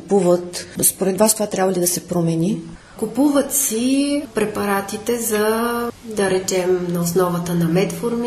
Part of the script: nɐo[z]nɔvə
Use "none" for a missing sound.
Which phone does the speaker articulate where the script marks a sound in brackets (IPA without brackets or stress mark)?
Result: s